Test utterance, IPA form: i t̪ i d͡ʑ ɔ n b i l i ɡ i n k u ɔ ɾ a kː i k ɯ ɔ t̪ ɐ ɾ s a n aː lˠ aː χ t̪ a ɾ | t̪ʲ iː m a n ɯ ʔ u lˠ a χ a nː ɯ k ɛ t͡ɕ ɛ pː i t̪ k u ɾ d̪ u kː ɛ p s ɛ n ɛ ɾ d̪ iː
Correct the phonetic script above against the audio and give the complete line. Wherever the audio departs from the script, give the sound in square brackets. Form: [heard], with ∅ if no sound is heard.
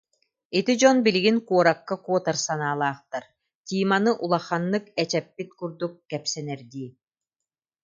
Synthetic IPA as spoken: i t̪ i d͡ʑ ɔ n b i l i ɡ i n k u ɔ ɾ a kː [a] k [u] ɔ t̪ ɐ ɾ s a n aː lˠ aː χ t̪ a ɾ | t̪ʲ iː m a n ɯ ʔ u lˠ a χ a nː ɯ k ɛ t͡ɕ ɛ pː i t̪ k u ɾ d̪ u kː ɛ p s ɛ n ɛ ɾ d̪ iː

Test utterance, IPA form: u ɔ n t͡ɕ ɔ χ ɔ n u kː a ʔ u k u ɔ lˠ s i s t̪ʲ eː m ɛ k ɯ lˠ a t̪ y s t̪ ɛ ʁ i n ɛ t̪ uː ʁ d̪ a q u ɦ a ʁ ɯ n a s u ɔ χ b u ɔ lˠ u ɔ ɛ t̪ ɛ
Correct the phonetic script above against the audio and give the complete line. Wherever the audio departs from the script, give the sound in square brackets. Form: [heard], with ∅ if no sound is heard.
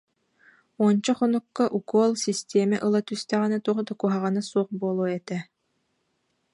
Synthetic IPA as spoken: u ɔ n t͡ɕ ɔ χ ɔ n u kː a ʔ u k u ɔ lˠ s i s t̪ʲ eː m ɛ [ʔ] ɯ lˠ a t̪ y s t̪ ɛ ʁ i n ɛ t̪ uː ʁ d̪ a [k] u ɦ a ʁ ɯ n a s u ɔ χ b u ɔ lˠ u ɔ ɛ t̪ ɛ

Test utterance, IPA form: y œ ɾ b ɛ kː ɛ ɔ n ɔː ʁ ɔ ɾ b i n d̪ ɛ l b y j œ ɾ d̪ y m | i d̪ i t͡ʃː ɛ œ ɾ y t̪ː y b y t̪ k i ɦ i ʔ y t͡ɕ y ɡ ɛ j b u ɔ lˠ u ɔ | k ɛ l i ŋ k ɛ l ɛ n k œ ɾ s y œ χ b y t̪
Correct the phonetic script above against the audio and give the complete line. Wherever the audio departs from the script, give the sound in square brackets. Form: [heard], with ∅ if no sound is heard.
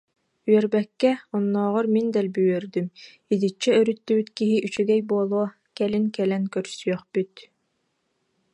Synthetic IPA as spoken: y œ ɾ b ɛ kː ɛ ɔ [nː] ɔː ʁ ɔ ɾ [m] i n d̪ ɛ l b y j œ ɾ d̪ y m | i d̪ i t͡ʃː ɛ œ ɾ y t̪ː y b y t̪ k i ɦ i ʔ y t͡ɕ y ɡ ɛ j b u ɔ lˠ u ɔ | k ɛ l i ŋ k ɛ l ɛ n k œ ɾ s y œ χ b y t̪

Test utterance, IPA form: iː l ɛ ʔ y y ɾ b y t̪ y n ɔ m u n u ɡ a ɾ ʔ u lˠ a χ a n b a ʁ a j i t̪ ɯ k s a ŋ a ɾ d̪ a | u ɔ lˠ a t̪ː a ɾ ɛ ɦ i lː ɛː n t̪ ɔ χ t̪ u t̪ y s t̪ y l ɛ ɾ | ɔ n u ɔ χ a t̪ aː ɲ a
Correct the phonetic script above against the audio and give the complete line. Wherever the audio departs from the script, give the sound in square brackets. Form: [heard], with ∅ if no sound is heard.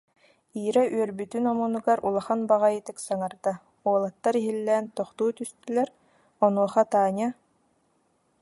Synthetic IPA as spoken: iː [ɾ] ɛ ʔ y [œ] ɾ b y t̪ y n ɔ m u n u ɡ a ɾ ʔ u lˠ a χ a n b a ʁ a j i t̪ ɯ k s a ŋ a ɾ d̪ a | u ɔ lˠ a t̪ː a ɾ [i] ɦ i lː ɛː n t̪ ɔ χ t̪ [uː] t̪ y s t̪ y l ɛ ɾ | ɔ n u ɔ χ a t̪ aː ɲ a

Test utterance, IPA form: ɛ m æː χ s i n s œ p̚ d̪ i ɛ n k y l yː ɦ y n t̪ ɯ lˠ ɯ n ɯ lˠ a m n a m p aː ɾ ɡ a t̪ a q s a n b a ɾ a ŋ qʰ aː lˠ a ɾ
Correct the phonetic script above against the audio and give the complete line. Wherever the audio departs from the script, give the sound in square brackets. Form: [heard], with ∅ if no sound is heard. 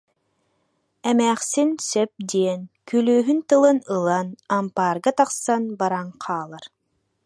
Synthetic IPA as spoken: ɛ m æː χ s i n s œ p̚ d̪ i ɛ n k y l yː ɦ y n t̪ ɯ lˠ ɯ n ɯ lˠ a [∅] n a m p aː ɾ ɡ a t̪ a q s a n b a ɾ a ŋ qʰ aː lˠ a ɾ

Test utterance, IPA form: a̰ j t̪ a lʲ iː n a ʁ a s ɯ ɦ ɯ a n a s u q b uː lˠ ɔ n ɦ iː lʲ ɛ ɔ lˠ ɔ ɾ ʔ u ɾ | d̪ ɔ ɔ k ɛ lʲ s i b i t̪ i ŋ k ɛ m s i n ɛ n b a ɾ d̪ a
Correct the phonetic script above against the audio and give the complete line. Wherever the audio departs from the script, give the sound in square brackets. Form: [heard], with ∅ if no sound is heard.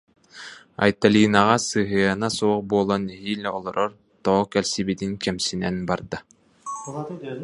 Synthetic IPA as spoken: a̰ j t̪ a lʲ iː n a ʁ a s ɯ ɦ ɯ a n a s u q b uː lˠ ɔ n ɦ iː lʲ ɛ ɔ lˠ ɔ ɾ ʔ [ɔ] ɾ | [t̪] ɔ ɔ k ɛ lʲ s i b i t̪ i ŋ k ɛ m s i n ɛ n b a ɾ d̪ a

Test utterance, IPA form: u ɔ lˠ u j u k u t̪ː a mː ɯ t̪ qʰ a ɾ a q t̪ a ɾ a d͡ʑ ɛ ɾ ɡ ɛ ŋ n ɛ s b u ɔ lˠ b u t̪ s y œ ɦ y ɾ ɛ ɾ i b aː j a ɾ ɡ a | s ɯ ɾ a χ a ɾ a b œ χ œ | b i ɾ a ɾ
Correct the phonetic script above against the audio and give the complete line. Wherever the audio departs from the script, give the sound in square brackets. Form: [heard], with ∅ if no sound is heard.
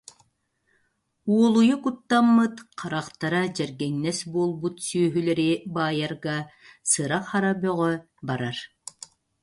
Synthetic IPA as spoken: u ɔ lˠ u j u k u t̪ː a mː ɯ t̪ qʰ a ɾ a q t̪ a ɾ a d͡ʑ ɛ ɾ ɡ ɛ ŋ n ɛ s b u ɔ lˠ b u t̪ s y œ ɦ y [l] ɛ ɾ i b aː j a ɾ ɡ a | s ɯ ɾ a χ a ɾ a b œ [ʁ] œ | b [a] ɾ a ɾ

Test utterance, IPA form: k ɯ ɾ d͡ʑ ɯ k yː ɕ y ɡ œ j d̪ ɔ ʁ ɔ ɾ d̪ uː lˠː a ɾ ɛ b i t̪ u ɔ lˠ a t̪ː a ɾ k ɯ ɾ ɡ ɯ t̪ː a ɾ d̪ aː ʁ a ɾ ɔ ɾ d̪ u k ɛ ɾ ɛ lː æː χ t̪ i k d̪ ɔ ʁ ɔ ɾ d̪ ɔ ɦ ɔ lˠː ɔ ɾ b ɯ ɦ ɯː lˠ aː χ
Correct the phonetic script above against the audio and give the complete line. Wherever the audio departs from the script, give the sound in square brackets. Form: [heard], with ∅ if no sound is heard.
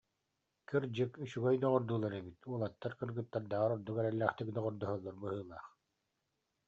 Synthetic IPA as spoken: k ɯ ɾ d͡ʑ ɯ k [y] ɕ y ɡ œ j d̪ ɔ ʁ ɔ ɾ d̪ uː [lˠ] a ɾ ɛ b i t̪ u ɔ lˠ a t̪ː a ɾ k ɯ ɾ ɡ ɯ t̪ː a ɾ d̪ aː ʁ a ɾ ɔ ɾ d̪ u k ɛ ɾ ɛ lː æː χ t̪ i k d̪ ɔ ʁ ɔ ɾ d̪ ɔ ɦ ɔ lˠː ɔ ɾ b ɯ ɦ ɯː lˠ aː χ

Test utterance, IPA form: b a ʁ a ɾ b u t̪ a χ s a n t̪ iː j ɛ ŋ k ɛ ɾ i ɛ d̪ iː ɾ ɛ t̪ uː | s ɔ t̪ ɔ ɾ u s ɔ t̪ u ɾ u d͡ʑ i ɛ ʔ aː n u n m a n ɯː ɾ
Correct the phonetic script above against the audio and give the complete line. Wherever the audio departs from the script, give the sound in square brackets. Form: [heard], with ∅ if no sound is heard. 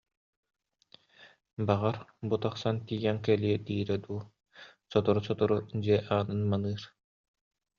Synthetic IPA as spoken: b a ʁ a ɾ b u t̪ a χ s a n t̪ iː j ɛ ŋ k ɛ [l] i ɛ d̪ iː ɾ ɛ [d̪] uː | s ɔ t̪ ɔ ɾ u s ɔ t̪ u ɾ u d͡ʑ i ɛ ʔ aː n [ɯ] n m a n ɯː ɾ

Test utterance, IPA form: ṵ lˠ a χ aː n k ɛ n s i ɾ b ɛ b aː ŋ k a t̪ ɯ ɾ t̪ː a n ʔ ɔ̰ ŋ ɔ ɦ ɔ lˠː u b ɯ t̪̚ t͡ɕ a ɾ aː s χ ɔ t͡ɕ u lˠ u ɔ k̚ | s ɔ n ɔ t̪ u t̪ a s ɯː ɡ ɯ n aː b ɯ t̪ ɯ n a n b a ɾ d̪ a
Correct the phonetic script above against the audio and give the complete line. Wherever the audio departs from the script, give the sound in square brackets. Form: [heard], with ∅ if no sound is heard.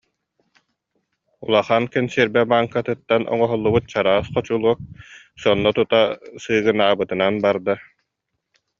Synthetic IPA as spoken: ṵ lˠ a χ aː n k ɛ n s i ɾ b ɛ b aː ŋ k a t̪ ɯ [∅] t̪ː a n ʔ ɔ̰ ŋ ɔ ɦ ɔ lˠː u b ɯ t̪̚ t͡ɕ a ɾ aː s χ ɔ t͡ɕ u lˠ u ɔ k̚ | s ɔ [nː] ɔ t̪ u t̪ a s ɯː ɡ ɯ n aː b ɯ t̪ ɯ n a n b a ɾ d̪ a

